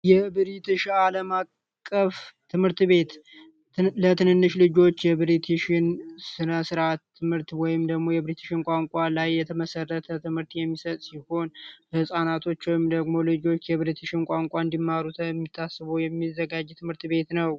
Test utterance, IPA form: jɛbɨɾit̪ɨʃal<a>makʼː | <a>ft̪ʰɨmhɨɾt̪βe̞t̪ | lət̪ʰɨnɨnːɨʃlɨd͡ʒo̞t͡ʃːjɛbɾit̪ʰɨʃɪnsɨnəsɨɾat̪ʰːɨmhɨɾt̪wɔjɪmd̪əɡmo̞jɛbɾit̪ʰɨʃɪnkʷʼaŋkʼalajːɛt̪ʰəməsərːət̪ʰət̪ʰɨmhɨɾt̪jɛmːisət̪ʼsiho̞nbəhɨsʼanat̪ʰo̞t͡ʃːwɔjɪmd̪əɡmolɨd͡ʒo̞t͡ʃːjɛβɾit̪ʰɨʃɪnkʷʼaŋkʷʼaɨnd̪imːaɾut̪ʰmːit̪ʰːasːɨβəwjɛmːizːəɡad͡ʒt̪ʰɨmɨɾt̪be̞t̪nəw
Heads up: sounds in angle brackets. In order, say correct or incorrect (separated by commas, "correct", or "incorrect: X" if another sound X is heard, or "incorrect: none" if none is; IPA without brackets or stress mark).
incorrect: ə, incorrect: ə